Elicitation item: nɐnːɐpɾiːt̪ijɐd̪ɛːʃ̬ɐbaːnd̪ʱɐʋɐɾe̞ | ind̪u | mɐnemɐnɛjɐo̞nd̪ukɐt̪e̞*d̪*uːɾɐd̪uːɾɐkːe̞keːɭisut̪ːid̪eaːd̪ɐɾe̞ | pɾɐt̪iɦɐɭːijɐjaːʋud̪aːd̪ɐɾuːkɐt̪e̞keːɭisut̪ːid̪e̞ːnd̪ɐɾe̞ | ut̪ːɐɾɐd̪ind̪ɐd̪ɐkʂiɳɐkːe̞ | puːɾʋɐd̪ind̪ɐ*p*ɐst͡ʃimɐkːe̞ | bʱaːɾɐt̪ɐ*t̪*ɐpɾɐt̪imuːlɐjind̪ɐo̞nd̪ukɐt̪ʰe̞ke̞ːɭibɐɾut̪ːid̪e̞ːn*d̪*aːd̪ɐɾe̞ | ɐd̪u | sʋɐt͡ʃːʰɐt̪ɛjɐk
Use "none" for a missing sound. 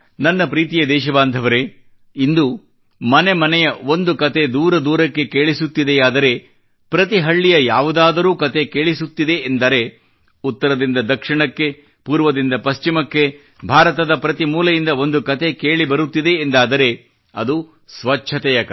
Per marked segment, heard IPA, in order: d̪, p, d̪, d̪

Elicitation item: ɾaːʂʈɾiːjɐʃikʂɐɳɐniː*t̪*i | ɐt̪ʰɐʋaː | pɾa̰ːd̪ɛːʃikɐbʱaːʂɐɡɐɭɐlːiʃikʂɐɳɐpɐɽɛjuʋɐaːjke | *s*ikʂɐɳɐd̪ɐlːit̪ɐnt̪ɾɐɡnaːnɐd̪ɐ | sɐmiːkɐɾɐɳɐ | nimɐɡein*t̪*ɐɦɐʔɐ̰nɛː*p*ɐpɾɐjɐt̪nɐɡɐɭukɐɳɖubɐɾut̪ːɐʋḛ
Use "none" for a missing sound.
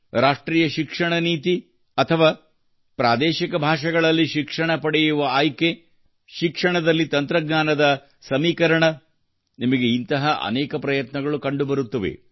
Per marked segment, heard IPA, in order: t̪, ʃ, t̪, k

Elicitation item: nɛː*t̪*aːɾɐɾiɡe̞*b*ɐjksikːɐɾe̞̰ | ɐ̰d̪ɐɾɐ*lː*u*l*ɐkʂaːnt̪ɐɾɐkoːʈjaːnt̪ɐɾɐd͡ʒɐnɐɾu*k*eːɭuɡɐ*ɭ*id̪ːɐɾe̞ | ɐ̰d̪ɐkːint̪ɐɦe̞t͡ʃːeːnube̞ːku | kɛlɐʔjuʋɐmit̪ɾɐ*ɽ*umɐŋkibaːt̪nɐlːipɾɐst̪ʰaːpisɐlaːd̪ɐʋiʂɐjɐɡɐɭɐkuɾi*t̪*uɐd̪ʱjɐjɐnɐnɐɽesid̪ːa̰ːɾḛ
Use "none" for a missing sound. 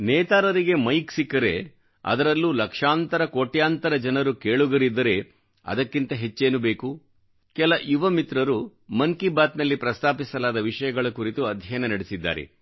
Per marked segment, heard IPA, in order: t̪, m, lː, l, k, ɾ, ɾ, t̪

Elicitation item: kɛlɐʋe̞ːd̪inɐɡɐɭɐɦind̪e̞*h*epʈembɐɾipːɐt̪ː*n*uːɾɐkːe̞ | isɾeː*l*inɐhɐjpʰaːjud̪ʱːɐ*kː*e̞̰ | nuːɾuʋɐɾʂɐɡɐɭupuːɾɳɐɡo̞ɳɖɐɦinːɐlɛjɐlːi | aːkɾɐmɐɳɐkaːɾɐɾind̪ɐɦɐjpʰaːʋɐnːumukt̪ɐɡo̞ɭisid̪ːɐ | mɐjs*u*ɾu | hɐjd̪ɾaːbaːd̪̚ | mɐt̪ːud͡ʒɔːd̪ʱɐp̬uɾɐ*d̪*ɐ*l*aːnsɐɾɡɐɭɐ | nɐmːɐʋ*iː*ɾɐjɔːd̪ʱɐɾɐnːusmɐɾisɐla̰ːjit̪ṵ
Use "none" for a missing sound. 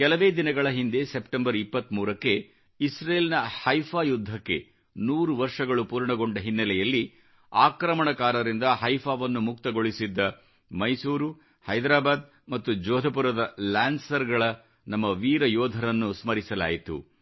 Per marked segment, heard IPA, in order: s, m, l, kː, uː, d̪, l, iː

